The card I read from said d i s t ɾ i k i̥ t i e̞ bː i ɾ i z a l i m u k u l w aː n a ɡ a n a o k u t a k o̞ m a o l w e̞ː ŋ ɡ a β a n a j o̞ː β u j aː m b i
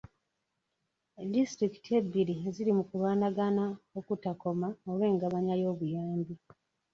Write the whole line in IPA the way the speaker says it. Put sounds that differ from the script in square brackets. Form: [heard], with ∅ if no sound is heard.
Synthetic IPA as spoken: d i s t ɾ i k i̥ t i e̞ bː i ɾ i z [i] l i m u k u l w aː n a ɡ a n a o k u t a k o̞ m a o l w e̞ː ŋ ɡ a β a [ɲ] a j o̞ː β u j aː m b i

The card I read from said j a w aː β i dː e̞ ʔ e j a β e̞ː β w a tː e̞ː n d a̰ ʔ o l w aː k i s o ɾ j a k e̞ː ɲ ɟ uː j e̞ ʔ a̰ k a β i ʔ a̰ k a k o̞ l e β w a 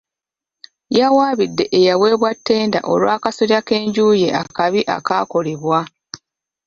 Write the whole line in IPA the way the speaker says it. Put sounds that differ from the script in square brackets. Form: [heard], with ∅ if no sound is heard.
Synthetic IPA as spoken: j a w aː β i dː e̞ ʔ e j a [w] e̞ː β w a tː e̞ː n d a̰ ʔ o l w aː k [a] s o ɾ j a k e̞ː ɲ ɟ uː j e̞ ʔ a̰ k a β i ʔ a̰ k a k o̞ l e β w a

